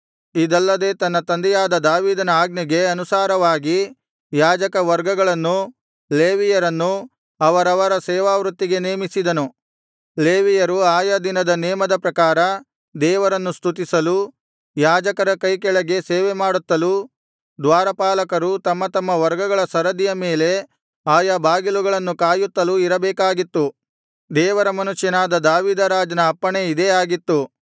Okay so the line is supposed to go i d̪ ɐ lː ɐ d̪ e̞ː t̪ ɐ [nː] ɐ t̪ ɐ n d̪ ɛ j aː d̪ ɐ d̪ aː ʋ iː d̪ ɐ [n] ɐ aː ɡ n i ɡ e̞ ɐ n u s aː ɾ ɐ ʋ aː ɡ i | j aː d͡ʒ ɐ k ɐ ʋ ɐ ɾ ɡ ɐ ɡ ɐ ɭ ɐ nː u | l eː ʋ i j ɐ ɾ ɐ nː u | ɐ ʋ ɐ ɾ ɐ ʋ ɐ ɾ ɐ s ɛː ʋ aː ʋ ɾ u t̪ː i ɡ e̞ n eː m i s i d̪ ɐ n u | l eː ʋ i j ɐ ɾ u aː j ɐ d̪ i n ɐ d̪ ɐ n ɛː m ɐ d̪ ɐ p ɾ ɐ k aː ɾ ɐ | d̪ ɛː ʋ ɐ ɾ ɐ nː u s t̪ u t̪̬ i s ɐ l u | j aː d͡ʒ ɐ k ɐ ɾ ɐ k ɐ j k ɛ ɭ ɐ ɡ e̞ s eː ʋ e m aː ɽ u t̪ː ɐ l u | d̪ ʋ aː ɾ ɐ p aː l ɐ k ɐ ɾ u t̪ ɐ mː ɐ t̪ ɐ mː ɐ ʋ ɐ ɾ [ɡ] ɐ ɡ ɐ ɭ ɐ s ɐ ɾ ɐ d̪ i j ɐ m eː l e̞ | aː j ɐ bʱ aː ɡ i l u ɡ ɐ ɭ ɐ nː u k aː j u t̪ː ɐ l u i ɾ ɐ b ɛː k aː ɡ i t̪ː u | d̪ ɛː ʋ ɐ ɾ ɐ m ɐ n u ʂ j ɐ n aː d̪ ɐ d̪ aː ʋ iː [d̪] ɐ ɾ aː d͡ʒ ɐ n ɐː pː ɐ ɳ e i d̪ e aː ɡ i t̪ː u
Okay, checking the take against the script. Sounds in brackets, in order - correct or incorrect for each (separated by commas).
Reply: correct, correct, correct, correct